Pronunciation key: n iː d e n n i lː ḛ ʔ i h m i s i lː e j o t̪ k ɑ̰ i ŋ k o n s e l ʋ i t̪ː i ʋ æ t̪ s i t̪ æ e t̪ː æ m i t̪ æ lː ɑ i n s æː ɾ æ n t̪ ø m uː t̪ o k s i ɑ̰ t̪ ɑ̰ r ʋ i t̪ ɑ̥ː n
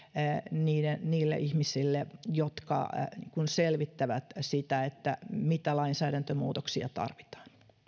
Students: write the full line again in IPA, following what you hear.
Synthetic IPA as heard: n iː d e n n iː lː ḛ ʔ i h m i s i lː e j o t̪ k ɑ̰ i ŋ k u n s e l ʋ i t̪ː æ ʋ æ t̪ s i t̪ æ e t̪ː æ m i t̪ æ l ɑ i n s æː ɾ æ n t̪ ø m uː t̪ o k s i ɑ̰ t̪ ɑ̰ r ʋ i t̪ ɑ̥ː n